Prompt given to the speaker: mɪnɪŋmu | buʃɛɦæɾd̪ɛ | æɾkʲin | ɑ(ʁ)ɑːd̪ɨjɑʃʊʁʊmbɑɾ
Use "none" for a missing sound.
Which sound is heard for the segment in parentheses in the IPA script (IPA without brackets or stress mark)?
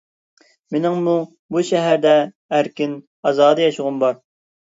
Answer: z